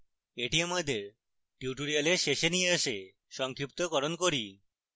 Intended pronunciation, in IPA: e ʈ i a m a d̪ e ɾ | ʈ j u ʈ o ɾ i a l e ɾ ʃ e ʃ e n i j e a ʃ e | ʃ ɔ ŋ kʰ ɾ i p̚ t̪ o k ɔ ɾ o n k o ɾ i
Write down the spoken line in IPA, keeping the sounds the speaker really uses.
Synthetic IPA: e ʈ i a m a d̪ e ɾ | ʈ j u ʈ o ɾ i a l e ɾ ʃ e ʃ e n i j e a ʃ e | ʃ ɔ ŋ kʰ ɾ i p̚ t̪ o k ɔ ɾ o n k o ɾ i